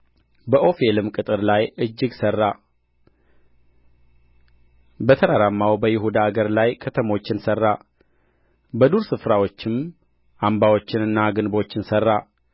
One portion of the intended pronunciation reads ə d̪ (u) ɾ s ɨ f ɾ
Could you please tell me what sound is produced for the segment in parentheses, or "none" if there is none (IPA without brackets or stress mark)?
u